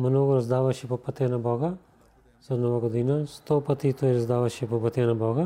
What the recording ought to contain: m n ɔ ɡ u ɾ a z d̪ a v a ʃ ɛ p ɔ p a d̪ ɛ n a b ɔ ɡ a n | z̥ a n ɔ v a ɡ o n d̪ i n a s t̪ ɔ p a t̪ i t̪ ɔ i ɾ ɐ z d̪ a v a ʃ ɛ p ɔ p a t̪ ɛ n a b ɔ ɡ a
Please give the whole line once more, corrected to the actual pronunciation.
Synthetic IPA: m n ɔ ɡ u ɾ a z d̪ a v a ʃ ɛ p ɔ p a t̪ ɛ n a b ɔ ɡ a | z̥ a n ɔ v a ɡ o d̪ i n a s t̪ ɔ p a t̪ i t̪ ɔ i ɾ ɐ z d̪ a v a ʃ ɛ p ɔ p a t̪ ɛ n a b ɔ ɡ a